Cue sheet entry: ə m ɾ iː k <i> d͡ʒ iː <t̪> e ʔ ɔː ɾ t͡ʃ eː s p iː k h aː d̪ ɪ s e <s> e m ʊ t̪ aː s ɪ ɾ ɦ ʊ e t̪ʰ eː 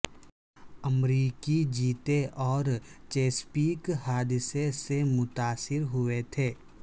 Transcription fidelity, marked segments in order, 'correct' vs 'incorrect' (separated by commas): correct, correct, correct